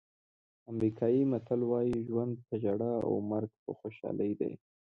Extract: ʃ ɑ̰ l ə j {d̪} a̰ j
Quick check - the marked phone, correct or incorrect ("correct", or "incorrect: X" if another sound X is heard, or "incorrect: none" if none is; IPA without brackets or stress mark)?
correct